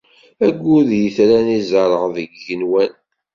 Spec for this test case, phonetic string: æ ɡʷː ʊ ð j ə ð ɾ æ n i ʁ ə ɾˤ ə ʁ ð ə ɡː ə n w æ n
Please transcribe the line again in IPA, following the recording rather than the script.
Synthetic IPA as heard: æ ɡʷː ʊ ð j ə θ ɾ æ n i z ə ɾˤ ə ʁ ð ə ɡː ə n w æ n